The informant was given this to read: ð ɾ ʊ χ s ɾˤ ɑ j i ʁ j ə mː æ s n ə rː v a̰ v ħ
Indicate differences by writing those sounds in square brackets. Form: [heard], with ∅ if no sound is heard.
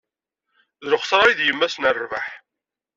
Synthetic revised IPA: ð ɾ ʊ χ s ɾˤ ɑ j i [ð] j ə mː æ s n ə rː v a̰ [∅] ħ